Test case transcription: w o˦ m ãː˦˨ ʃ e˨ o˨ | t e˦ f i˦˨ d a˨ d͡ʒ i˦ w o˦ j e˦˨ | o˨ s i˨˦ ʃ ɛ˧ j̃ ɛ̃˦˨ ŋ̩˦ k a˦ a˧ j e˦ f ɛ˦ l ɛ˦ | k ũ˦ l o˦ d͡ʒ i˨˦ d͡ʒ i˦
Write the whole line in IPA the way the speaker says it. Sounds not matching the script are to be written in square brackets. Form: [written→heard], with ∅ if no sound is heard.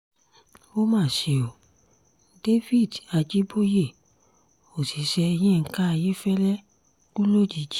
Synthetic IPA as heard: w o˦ m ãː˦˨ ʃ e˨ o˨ | [t→d] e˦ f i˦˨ d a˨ d͡ʒ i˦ [w→b] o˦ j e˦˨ | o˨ s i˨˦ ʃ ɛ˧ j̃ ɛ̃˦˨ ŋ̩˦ k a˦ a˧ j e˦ f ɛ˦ l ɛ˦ | k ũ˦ l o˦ d͡ʒ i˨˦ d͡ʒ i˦

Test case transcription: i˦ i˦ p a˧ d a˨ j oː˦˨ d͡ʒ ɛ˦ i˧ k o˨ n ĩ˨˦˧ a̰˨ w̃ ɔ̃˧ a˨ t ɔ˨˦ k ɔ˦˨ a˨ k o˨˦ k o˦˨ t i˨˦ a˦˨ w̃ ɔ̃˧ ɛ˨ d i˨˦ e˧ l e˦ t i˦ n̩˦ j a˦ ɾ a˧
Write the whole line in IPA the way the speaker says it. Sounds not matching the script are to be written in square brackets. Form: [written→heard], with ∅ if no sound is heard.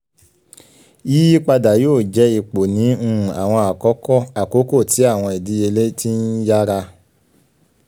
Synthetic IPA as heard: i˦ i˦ [p→k͡p] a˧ d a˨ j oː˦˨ d͡ʒ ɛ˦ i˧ [k→k͡p] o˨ n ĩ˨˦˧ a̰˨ w̃ ɔ̃˧ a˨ [t→k] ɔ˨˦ k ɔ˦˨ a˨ k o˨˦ k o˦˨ t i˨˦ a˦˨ w̃ ɔ̃˧ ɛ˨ d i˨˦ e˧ l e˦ t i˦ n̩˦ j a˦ ɾ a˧

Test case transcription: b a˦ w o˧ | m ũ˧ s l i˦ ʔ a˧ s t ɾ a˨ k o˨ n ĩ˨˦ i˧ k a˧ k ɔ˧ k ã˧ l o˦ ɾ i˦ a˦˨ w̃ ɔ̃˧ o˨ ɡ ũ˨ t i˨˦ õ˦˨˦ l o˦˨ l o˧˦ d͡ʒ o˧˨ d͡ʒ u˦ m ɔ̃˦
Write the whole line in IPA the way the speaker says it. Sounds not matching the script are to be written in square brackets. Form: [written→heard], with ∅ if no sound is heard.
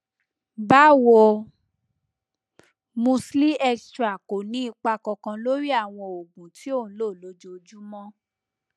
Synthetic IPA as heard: b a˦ w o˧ | m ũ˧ s l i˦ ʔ [a˧→ɛ˧] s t ɾ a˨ k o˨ n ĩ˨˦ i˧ [k→k͡p] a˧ k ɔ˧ k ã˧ l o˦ ɾ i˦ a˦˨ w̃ ɔ̃˧ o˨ ɡ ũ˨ t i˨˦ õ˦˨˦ l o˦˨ l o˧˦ d͡ʒ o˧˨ d͡ʒ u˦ m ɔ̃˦

